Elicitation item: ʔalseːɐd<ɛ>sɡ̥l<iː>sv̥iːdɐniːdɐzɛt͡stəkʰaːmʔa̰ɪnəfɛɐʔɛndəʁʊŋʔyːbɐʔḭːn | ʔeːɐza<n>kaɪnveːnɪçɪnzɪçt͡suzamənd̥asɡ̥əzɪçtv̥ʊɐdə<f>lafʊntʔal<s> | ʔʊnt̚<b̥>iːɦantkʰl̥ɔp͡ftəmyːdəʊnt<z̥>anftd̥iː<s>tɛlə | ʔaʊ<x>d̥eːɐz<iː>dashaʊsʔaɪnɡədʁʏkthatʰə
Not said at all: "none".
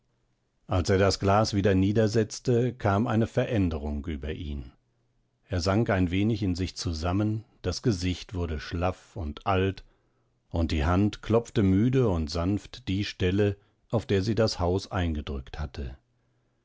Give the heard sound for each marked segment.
a, aː, ŋ, ʃ, t, d̥, z̥, ʃ, f, iː

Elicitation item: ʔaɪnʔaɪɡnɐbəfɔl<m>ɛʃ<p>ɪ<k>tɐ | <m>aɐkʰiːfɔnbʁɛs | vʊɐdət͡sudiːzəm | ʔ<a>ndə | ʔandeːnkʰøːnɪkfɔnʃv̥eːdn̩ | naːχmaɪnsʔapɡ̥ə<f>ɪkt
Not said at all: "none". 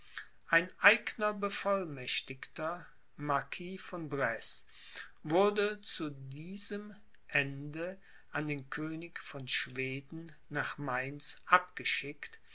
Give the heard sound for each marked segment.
m, t, k, m, ɛ, ʃ

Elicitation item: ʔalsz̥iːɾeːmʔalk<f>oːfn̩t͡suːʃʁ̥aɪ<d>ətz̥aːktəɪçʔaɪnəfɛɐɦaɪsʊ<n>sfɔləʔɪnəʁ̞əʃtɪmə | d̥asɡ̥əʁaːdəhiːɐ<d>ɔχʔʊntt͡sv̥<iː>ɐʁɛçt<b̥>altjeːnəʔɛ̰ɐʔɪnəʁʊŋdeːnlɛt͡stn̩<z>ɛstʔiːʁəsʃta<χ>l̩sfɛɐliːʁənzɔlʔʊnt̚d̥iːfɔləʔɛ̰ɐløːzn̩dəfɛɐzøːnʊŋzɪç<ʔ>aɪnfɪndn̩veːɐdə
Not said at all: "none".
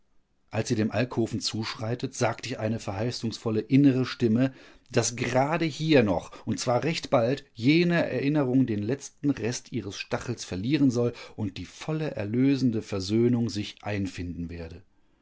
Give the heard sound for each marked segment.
h, t, ŋ, n, aː, b̥, ʁ, χ, ʔ

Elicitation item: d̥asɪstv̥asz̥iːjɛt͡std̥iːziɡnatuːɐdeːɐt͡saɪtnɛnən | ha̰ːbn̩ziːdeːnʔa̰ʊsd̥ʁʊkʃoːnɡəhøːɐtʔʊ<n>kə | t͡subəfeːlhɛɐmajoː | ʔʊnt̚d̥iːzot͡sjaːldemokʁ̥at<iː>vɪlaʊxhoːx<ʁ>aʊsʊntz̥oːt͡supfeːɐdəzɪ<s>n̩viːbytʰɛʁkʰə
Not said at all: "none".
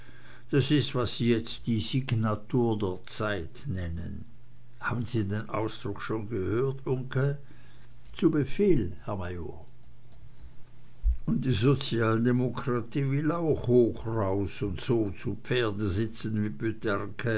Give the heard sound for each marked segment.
ŋ, iː, ʁ, t͡s

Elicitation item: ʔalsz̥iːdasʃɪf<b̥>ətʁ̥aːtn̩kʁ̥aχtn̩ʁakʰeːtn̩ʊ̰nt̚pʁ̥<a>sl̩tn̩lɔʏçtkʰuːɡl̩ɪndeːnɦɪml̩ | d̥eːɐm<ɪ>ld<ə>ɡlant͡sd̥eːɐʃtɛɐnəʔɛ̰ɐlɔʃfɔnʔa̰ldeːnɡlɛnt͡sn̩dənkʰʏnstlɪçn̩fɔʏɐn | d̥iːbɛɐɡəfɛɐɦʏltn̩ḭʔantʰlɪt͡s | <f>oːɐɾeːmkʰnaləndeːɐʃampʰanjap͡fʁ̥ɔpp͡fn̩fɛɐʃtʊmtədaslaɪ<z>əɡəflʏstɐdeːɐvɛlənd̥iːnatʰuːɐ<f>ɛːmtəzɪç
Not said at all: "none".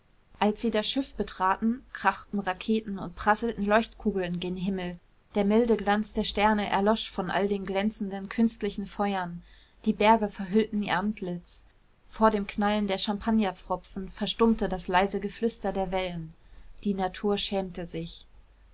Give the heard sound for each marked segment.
b̥, a, ɪ, ə, f, z, ʃ

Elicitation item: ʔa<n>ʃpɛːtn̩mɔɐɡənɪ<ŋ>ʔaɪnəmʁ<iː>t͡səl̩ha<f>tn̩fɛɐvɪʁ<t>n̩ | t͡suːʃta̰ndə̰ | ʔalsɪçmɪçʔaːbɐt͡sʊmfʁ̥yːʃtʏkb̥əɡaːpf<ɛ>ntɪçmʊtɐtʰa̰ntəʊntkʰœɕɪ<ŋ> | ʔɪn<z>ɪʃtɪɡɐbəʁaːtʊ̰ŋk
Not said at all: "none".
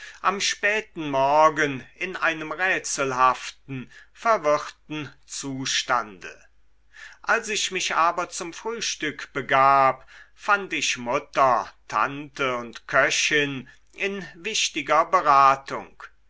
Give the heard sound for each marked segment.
m, n, ɛː, f, t, a, n, v

